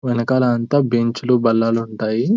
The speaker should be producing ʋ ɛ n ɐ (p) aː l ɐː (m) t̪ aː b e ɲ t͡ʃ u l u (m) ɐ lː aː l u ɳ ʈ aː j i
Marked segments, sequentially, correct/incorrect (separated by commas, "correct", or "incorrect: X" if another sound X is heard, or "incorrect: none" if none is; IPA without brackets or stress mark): incorrect: k, incorrect: n, incorrect: b